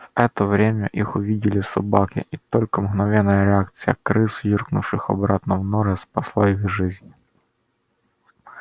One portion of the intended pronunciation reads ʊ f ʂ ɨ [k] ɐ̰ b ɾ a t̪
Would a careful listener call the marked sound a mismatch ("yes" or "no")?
yes